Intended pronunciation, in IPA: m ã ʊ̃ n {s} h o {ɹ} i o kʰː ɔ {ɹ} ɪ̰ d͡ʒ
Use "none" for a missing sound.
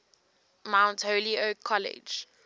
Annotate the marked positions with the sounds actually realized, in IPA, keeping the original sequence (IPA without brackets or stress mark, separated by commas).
t, l, l